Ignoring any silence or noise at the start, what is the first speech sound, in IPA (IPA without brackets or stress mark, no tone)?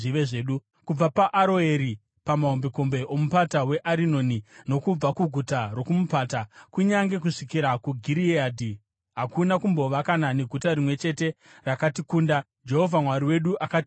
i